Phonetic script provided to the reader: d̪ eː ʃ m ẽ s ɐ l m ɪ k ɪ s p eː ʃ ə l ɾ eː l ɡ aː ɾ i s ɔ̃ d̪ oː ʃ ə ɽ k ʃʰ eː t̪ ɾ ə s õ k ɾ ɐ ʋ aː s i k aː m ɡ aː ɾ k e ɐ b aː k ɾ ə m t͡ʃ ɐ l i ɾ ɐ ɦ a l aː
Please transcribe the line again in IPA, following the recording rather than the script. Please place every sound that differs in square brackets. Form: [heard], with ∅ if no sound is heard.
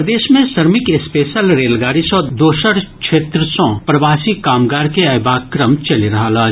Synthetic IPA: d̪ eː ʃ m ẽ s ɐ [ɾ] m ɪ k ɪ s p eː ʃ ə l ɾ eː l ɡ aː ɾ i s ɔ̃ d̪ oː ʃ ə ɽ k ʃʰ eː t̪ ɾ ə s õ [p] ɾ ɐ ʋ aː s i k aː m ɡ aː ɾ k e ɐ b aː k ɾ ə m t͡ʃ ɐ l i ɾ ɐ ɦ a l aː